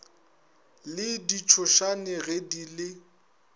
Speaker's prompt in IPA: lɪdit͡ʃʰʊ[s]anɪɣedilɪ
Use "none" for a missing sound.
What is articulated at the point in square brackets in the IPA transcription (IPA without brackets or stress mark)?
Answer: ʃ